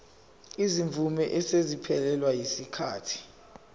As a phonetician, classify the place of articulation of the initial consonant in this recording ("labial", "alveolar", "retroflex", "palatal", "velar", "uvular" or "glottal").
alveolar